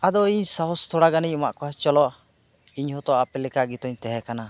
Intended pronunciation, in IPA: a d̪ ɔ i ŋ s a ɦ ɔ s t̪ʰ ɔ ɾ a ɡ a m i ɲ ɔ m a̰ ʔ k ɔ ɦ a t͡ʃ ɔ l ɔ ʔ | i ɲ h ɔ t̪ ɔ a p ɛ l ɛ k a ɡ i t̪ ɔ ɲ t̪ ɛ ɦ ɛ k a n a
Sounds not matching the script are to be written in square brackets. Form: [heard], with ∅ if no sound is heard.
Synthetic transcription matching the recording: a d̪ ɔ i [ɲ] s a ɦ ɔ s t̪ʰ ɔ [ɽ] a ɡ a [n] i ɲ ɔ m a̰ ʔ k ɔ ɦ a t͡ʃ ɔ l ɔ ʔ | i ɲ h ɔ t̪ ɔ a p ɛ l ɛ k a ɡ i t̪ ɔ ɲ t̪ ɛ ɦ ɛ k a n a